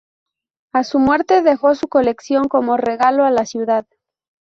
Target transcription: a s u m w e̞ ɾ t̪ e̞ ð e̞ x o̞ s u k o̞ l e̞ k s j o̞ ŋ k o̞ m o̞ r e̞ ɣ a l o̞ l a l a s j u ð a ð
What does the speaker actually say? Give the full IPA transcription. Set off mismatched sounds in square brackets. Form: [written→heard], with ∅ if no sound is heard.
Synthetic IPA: a s u m w e̞ ɾ t̪ e̞ ð e̞ x o̞ s u k o̞ l e̞ k s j o̞ ŋ k o̞ m o̞ r e̞ ɣ a l o̞ [l→∅] a l a s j u ð a ð